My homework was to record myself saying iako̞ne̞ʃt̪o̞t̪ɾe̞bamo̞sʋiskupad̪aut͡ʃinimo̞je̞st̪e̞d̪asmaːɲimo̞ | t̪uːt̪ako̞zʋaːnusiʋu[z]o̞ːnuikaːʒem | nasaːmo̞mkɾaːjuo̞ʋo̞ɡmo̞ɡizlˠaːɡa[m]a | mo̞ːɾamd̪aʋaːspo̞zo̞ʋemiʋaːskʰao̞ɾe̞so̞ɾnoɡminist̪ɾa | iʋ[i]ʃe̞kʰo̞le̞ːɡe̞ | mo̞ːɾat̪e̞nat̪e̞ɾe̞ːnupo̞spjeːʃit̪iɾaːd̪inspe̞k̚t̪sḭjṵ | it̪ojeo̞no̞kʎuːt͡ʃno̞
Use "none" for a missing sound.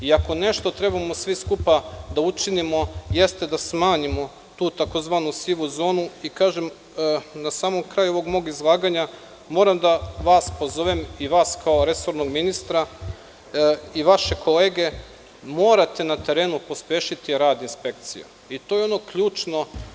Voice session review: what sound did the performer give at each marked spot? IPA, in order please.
z, ɲ, a

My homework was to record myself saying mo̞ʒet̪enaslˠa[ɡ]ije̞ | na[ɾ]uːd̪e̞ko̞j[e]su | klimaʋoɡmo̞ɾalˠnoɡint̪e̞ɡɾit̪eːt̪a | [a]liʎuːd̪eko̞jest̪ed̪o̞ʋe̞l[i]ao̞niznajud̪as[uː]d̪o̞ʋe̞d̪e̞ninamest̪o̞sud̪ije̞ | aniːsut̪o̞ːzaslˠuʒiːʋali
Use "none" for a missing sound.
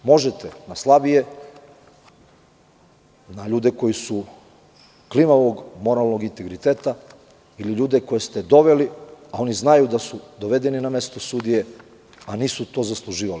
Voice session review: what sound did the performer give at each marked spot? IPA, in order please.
b, ʎ, i, i, i, u

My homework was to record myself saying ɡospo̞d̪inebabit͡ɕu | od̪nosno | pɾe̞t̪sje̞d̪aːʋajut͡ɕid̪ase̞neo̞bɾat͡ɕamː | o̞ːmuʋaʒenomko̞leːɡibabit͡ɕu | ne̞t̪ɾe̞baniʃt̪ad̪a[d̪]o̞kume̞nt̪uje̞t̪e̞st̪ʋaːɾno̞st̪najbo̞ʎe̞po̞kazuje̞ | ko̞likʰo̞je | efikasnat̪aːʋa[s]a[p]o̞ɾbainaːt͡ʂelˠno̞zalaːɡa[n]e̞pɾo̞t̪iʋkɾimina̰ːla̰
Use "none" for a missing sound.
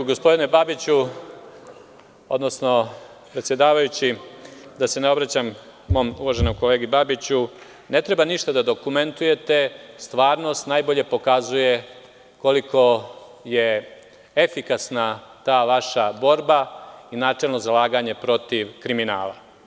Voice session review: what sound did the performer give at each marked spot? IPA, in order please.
d̪, ʃ, b, ɲ

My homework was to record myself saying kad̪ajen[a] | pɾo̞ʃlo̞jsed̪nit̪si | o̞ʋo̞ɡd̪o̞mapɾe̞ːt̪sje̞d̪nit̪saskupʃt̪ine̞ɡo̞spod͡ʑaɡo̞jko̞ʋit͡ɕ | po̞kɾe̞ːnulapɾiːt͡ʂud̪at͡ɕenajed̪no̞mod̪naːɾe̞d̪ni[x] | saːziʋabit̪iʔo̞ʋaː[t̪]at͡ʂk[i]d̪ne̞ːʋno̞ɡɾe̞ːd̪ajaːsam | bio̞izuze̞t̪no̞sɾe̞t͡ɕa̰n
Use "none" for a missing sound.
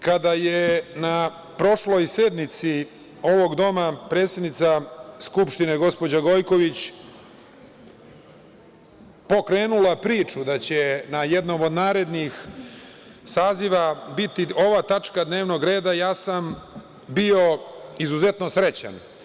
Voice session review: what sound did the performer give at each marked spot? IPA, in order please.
a, x, t̪, a

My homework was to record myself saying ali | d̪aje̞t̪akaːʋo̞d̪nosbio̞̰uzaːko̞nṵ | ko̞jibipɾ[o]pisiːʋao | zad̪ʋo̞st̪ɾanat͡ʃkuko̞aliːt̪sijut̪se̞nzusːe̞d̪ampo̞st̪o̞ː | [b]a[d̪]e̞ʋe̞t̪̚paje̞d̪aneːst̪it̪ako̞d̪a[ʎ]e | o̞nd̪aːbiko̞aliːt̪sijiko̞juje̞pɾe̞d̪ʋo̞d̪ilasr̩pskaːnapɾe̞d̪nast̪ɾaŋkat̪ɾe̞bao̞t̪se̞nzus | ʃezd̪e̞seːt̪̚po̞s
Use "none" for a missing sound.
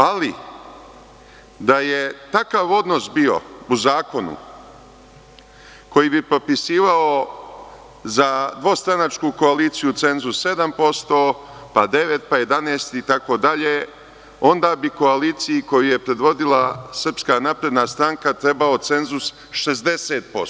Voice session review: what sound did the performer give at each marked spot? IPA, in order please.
o, p, d̪, ʎ

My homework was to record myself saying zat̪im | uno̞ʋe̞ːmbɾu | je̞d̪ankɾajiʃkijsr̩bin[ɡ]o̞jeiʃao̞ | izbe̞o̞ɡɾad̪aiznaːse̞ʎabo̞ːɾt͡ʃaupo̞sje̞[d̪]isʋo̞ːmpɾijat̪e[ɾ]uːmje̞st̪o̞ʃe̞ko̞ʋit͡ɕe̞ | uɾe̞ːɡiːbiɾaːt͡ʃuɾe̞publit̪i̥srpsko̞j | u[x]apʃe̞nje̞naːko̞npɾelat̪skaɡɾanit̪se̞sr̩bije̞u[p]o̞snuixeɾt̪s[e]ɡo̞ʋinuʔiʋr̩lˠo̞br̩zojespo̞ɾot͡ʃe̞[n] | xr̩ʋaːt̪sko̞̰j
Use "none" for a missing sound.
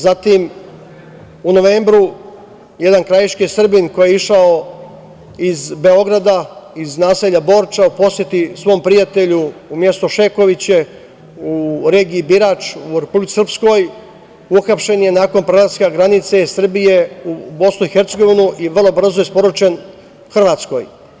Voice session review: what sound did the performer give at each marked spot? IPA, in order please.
k, t̪, ʎ, x, b, e, n

